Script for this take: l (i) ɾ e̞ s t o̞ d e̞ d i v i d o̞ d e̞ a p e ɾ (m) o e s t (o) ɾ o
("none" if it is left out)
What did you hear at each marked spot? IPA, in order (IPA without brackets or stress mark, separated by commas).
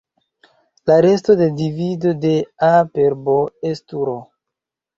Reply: a, b, u